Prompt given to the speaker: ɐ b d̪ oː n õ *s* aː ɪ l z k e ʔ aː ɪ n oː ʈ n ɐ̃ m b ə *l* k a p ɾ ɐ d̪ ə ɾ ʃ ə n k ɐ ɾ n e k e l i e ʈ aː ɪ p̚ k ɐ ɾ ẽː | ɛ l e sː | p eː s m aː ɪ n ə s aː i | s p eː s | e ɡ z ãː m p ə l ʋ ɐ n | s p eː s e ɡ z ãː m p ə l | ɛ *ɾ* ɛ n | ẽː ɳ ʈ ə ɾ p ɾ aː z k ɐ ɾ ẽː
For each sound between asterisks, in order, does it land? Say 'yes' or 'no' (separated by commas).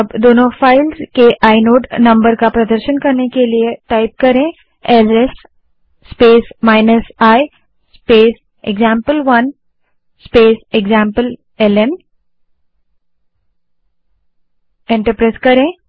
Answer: no, no, no